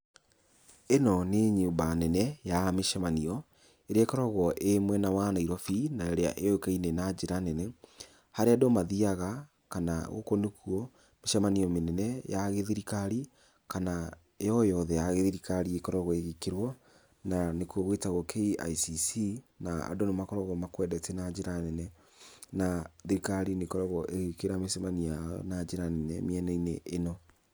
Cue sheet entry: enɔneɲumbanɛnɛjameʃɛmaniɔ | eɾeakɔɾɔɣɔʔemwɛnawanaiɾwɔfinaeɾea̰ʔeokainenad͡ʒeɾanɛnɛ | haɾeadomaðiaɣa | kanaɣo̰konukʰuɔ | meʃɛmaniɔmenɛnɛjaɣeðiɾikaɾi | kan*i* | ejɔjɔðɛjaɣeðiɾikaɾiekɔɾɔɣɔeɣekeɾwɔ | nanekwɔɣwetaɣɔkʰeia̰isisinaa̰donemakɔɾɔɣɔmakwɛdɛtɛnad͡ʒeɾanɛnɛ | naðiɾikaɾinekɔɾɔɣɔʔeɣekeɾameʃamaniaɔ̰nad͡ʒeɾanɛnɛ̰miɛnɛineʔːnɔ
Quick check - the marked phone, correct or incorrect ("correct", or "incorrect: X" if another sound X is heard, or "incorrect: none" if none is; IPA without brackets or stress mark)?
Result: incorrect: a